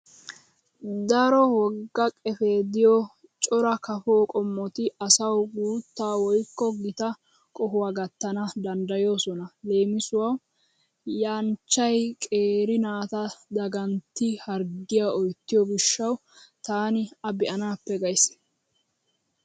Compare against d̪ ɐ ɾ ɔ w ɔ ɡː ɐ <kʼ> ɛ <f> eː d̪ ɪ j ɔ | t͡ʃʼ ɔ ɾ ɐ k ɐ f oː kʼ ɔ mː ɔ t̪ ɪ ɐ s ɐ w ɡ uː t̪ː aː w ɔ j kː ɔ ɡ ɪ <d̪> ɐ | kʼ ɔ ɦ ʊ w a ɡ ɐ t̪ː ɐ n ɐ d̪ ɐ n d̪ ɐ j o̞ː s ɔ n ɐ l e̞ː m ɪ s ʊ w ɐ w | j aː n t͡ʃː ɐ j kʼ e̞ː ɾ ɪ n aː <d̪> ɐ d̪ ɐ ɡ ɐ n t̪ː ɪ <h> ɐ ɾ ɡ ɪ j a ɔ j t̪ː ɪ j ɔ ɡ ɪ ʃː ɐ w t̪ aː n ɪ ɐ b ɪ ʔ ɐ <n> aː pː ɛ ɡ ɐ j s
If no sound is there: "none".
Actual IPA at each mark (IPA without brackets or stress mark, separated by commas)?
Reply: kʼ, f, t̪, t̪, h, n